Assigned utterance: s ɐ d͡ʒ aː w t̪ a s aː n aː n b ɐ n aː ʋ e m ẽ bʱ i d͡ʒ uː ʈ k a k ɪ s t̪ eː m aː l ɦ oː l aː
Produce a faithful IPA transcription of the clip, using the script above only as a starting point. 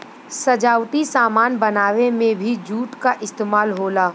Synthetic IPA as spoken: s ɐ d͡ʒ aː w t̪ i s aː m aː n b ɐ n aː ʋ e m ẽ bʱ i d͡ʒ uː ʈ k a ʔ ɪ s t̪ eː m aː l ɦ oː l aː